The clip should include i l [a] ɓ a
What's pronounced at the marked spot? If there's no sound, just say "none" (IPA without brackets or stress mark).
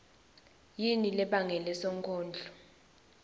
ɛ